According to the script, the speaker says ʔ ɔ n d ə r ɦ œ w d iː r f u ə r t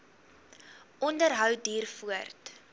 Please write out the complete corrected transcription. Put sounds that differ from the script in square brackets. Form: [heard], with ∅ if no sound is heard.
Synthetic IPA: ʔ ɔ n d ə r ɦ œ w d iː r f u ə r t